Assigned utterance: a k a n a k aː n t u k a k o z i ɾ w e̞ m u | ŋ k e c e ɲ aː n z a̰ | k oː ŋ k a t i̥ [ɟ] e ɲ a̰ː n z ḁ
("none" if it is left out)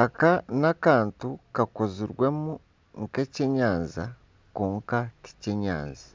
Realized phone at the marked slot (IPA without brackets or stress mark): c